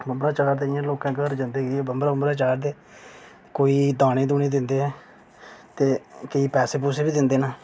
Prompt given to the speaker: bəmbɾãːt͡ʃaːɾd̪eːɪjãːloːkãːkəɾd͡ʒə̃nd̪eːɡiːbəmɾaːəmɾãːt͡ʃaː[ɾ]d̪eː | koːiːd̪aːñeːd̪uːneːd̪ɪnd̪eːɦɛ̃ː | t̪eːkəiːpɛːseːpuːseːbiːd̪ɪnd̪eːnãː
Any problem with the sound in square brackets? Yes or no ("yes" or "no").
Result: no